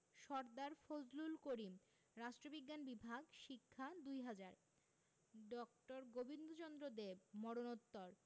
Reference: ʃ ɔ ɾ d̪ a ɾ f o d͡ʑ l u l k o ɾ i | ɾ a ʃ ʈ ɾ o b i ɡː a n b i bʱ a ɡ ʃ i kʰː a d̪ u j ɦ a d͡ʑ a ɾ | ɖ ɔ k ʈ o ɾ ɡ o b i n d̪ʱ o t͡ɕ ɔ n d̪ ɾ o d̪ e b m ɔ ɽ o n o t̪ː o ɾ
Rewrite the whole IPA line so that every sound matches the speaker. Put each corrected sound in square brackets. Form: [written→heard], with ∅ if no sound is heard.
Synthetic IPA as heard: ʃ ɔ ɾ d̪ a ɾ f o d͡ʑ l u l k o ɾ i | ɾ a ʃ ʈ ɾ o b i ɡː a n b i bʱ a ɡ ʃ i kʰː a d̪ u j ɦ a d͡ʑ a ɾ | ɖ ɔ k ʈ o ɾ ɡ o b i n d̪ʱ o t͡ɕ ɔ n d̪ ɾ o d̪ e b m ɔ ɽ o n o t̪ː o ɾ